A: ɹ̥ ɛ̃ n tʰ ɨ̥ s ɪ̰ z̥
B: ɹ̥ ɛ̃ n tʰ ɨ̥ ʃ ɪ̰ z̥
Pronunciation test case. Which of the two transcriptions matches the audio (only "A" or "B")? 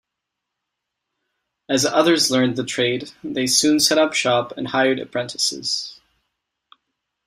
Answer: A